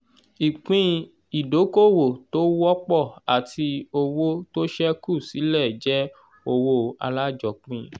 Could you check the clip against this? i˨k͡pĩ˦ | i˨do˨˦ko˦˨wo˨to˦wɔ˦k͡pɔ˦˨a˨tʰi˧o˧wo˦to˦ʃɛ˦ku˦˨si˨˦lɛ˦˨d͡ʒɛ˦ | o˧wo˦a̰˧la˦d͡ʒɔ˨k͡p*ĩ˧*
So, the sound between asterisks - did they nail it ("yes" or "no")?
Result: yes